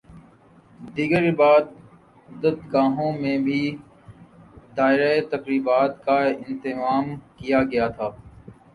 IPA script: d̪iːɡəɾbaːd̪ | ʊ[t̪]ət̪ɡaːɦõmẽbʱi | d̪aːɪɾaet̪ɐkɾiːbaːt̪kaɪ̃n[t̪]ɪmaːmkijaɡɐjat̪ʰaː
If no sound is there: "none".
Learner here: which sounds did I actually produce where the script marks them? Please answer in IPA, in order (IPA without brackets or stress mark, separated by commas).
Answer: d̪, t̪